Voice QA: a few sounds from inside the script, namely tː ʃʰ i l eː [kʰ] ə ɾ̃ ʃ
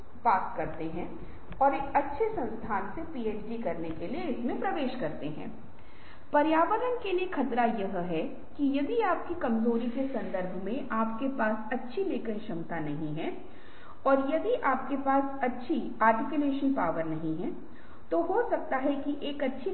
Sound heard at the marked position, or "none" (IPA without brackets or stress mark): k